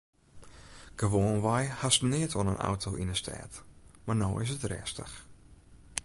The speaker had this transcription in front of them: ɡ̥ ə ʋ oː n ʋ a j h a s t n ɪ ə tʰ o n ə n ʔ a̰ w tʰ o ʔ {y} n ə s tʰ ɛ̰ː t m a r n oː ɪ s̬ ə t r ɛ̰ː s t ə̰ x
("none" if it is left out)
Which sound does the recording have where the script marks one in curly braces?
i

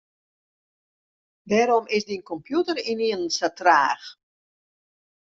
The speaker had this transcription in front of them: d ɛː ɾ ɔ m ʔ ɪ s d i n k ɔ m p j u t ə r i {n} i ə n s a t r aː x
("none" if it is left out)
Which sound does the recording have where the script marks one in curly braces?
n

